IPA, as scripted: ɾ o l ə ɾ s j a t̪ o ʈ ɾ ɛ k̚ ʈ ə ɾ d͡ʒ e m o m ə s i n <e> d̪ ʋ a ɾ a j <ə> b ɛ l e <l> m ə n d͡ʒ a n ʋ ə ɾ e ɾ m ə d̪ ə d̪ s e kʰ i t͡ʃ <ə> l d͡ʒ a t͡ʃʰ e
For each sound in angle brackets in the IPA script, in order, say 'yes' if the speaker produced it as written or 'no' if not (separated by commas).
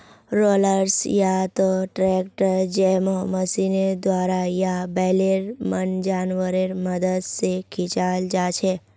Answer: yes, no, no, no